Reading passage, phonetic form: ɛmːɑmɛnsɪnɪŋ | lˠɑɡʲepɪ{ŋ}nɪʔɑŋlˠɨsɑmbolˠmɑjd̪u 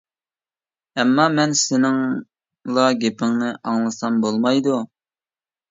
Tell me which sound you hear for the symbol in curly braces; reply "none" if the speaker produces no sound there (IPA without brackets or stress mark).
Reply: ŋ